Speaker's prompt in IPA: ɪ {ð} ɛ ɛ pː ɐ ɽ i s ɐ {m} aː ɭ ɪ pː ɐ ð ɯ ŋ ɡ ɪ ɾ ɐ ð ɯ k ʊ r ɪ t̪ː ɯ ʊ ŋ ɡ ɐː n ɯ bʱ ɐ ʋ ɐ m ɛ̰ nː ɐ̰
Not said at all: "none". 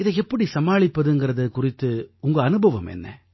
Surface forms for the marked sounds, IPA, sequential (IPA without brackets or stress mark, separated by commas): ð, m